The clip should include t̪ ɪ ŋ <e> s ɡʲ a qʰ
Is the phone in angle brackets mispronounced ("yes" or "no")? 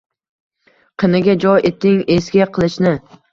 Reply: no